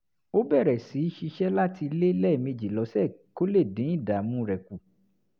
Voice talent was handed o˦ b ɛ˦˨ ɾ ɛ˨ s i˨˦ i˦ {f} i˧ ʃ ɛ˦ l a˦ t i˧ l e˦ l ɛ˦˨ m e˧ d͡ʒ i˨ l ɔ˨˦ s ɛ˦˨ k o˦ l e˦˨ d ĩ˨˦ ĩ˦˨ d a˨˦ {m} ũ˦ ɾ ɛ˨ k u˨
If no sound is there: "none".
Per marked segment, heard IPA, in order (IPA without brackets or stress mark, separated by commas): ʃ, m